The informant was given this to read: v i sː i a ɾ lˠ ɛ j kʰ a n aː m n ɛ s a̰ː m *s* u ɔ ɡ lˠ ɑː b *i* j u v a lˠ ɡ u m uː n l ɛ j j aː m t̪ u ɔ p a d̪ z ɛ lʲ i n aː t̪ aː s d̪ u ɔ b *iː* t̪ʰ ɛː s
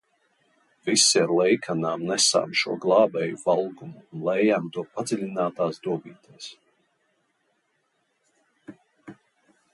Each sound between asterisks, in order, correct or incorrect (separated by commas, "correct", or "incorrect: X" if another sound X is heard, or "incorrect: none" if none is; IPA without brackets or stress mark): incorrect: ʃ, incorrect: ɛ, correct